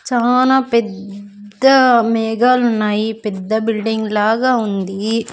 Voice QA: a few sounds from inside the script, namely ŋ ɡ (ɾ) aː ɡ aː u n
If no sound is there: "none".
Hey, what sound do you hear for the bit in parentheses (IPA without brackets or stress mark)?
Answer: l